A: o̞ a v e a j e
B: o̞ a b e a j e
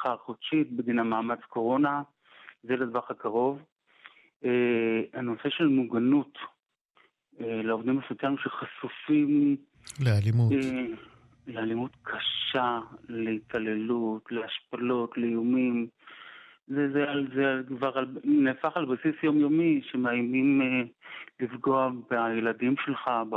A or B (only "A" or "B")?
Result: B